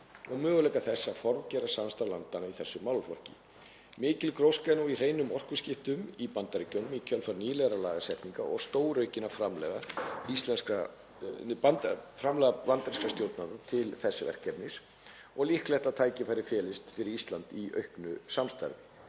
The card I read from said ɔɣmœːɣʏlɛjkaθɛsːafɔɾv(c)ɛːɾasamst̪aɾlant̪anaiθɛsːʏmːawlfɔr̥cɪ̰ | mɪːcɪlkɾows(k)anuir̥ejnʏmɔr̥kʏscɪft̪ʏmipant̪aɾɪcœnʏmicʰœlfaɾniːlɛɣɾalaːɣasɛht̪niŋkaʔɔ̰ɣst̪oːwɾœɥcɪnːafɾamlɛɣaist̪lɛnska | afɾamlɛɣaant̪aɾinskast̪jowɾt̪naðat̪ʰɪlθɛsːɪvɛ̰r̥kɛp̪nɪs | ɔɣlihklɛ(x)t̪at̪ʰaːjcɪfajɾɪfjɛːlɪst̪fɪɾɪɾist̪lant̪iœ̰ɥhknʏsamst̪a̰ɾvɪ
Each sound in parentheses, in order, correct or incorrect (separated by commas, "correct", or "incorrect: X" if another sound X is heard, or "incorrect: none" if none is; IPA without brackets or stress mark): correct, correct, incorrect: h